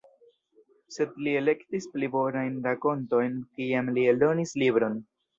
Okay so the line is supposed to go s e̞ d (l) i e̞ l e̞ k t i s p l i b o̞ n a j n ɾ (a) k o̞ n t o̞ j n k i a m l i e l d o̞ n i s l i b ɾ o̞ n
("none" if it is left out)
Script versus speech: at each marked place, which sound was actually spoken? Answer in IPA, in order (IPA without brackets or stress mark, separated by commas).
l, a